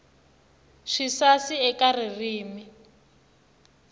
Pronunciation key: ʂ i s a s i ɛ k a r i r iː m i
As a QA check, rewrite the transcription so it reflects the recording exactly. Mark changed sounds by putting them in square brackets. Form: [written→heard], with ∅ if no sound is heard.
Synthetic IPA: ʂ i s a s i ɛ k a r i r iː m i